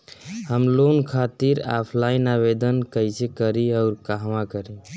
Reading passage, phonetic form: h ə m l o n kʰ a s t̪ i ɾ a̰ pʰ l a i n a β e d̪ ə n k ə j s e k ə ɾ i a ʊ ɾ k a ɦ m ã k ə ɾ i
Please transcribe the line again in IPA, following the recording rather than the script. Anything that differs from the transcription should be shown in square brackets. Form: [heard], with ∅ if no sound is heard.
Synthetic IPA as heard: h ə m l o n kʰ a [∅] t̪ i ɾ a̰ pʰ l a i n a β e d̪ ə n k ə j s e k ə ɾ i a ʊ ɾ k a ɦ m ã k ə ɾ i